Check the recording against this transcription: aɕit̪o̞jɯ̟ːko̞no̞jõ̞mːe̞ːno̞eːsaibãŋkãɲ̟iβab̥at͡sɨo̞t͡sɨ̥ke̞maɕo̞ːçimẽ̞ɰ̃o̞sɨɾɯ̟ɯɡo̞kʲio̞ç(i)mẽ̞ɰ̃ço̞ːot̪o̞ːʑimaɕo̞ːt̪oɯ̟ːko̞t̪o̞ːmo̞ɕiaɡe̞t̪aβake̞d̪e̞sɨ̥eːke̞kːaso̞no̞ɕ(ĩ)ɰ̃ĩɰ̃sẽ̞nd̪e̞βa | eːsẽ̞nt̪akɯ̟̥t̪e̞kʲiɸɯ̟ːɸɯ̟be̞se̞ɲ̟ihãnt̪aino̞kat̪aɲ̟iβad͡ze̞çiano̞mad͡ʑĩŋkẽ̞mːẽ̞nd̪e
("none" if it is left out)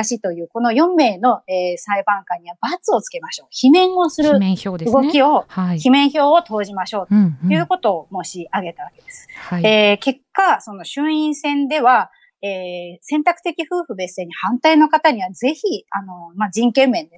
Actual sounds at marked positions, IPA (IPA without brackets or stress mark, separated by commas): i, ɨ̃